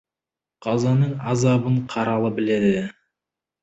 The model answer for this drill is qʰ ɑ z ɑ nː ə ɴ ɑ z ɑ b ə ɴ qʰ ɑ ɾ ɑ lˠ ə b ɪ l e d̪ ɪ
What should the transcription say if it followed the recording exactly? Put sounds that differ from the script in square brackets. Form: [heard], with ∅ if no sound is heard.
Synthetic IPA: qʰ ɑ z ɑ [n] ə ɴ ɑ z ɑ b ə ɴ qʰ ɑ ɾ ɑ lˠ ə b ɪ l e d̪ ɪ